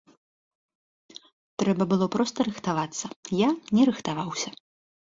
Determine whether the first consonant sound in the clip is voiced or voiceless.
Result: voiceless